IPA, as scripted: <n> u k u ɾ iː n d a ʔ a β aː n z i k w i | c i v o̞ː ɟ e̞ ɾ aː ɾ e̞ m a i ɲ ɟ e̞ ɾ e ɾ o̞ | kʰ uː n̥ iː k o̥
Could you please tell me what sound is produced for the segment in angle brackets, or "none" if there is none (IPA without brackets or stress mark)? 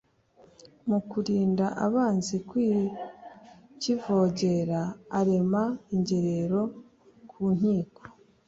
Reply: m